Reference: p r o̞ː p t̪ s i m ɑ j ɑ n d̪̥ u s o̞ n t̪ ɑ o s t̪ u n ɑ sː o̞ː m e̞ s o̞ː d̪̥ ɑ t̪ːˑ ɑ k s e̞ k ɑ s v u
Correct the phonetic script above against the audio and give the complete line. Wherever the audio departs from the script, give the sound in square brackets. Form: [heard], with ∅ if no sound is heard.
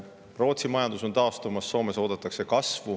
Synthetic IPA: p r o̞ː [∅] t̪ s i m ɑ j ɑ n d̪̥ u s o̞ n t̪ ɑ o s t̪ u [m] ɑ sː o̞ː m e̞ s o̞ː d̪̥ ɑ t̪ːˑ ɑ k s e̞ k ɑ s v u